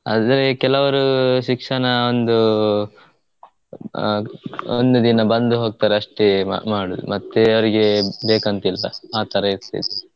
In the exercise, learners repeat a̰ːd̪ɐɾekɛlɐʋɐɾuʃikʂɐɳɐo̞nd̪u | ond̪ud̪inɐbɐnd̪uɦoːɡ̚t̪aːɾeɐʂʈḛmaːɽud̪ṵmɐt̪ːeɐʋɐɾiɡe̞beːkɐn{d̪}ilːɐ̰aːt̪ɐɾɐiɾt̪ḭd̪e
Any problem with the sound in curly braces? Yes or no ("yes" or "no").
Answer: yes